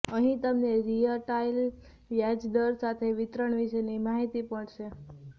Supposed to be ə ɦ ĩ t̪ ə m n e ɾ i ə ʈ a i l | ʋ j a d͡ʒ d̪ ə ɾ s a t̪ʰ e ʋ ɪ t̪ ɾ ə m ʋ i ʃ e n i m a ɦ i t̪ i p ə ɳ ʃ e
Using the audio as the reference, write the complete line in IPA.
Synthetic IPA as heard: ə ɦ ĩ t̪ ə m n e ɾ i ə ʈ a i l | ʋ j a d͡ʒ d̪ ə ɾ s a t̪ʰ e ʋ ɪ t̪ ɾ ə ɳ ʋ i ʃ e n i m a ɦ i t̪ i p ə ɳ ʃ e